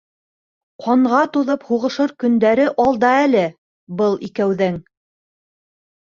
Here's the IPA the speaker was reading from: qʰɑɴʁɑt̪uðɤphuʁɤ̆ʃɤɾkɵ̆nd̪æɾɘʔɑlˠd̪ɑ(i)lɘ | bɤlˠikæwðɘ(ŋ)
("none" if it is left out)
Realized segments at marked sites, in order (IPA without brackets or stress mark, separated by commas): æ, ŋ